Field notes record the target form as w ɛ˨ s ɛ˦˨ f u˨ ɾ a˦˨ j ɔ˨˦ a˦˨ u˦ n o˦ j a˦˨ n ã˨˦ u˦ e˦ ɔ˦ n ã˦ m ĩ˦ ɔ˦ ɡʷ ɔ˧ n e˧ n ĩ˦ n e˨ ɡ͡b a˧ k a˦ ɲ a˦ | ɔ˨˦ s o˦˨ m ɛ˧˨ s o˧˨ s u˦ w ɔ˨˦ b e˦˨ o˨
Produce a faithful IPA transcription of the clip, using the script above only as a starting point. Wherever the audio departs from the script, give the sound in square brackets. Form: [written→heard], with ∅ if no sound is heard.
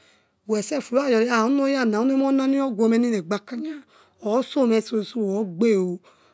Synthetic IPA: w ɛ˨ s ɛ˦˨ f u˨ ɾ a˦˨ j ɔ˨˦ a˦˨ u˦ n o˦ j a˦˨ n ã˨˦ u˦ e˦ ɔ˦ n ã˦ [m→n] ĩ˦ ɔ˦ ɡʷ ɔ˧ [n→m] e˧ n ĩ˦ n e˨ ɡ͡b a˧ k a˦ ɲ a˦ | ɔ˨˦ s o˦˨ m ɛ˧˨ s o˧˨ s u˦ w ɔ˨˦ [b→ɡ͡b] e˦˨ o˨